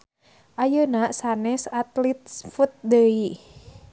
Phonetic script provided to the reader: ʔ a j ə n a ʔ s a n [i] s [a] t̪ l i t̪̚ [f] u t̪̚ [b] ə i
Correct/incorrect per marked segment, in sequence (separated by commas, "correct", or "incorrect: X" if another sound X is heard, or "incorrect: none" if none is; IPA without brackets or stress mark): incorrect: ɛ, correct, correct, incorrect: d